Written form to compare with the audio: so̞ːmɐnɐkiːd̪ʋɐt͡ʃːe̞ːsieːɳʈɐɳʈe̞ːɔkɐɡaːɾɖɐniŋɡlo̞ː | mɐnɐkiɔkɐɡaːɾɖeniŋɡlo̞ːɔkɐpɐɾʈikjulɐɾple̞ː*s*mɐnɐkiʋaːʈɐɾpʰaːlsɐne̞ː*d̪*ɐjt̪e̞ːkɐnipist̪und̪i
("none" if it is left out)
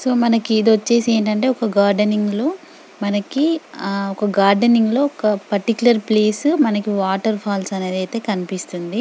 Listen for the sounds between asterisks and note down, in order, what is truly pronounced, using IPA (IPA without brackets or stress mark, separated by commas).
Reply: s, d̪